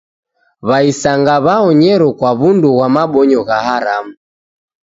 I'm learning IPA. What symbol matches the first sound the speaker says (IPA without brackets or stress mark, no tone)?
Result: β